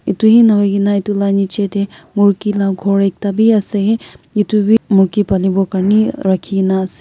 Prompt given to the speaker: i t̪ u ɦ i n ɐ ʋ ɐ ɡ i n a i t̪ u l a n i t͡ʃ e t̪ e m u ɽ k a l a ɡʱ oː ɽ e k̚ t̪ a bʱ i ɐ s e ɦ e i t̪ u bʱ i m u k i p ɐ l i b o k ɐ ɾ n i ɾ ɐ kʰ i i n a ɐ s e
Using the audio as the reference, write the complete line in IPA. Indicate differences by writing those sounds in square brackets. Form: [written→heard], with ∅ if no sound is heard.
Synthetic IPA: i t̪ u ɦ i n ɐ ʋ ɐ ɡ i n a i t̪ u l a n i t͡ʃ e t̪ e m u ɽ k [a→i] l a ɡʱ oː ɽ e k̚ t̪ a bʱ i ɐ s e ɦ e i t̪ u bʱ i m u k i p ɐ l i b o k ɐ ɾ n i ɾ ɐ kʰ i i n a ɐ s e

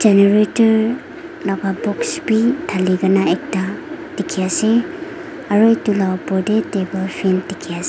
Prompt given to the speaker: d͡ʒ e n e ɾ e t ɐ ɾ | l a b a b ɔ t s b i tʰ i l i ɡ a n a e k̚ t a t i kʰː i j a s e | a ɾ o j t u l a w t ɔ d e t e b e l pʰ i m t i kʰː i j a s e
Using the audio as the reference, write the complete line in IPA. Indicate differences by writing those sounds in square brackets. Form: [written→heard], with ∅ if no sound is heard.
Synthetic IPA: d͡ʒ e n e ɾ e t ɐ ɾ | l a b a b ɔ [t→k] s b i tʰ [i→a] l i ɡ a n a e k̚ t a t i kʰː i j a s e | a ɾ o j t u l a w [t→p] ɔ d e t e b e l pʰ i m t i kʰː i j a s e

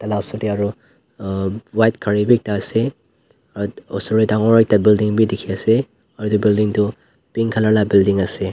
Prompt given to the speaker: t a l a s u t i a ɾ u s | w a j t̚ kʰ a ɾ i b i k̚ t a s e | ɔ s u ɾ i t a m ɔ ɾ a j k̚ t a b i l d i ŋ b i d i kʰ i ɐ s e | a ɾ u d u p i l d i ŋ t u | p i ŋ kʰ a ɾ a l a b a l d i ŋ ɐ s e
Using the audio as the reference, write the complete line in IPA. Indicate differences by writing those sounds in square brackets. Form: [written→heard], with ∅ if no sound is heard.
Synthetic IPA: t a l a s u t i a ɾ u [s→∅] | w a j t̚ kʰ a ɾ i b i k̚ t a s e | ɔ s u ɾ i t a [m→ŋ] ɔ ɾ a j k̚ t a b i l d i ŋ b i d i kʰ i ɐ s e | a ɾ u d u [p→b] i l d i ŋ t u | p i ŋ kʰ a [ɾ→l] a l a b [a→i] l d i ŋ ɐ s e

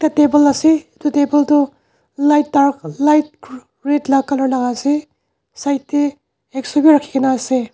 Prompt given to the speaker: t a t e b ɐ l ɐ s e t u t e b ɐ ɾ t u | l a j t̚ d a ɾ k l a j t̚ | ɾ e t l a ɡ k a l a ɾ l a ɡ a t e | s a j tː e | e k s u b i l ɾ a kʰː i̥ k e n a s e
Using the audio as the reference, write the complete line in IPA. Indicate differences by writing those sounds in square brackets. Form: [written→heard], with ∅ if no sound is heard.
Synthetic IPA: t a t e b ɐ l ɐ s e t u t e b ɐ [ɾ→l] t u | l a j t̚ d a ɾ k l a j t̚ | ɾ e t l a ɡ k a l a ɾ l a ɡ a [t→s] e | s a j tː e | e k s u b i [l→∅] ɾ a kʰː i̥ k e n a s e

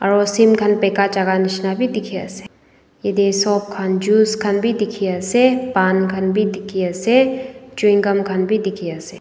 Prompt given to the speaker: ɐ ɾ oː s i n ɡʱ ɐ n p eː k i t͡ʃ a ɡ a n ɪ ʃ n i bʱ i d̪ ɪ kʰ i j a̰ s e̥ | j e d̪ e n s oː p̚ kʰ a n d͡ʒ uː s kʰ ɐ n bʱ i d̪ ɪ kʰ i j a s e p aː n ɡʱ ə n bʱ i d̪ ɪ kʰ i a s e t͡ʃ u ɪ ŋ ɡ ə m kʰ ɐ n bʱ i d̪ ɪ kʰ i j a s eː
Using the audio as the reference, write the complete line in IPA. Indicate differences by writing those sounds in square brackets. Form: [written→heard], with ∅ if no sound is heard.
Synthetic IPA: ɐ ɾ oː s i [n→m] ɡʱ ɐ n p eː k [i→a] t͡ʃ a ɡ a n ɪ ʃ n [i→a] bʱ i d̪ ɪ kʰ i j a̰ s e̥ | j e d̪ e [n→∅] s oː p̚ kʰ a n d͡ʒ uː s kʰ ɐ n bʱ i d̪ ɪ kʰ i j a s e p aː n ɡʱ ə n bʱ i d̪ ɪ kʰ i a s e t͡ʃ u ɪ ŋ ɡ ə m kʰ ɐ n bʱ i d̪ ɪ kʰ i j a s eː

